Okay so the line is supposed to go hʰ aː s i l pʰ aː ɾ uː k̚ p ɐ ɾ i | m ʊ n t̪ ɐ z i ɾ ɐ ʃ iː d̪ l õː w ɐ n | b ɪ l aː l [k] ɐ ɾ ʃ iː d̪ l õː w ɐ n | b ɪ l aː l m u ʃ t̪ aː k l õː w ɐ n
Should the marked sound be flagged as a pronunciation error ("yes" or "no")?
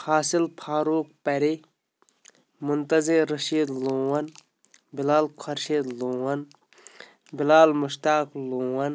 yes